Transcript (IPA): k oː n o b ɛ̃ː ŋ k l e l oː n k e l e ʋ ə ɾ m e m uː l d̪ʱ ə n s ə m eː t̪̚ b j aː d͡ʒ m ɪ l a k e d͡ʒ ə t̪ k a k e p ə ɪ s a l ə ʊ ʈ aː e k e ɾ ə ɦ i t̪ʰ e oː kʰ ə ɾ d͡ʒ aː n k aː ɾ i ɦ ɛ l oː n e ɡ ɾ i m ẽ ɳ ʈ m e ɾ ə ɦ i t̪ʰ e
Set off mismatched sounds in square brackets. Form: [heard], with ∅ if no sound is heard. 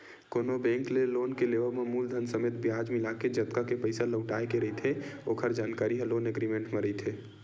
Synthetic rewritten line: k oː n o b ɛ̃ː ŋ k l e l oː n k e l e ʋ ə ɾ m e m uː l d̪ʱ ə n s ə m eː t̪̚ b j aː d͡ʒ m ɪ l a k e d͡ʒ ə t̪ k a k e p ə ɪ s a l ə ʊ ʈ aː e k e ɾ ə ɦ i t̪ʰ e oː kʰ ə ɾ d͡ʒ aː n k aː ɾ i ɦ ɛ l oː n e ɡ ɾ i m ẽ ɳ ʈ m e ɾ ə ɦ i t̪ʰ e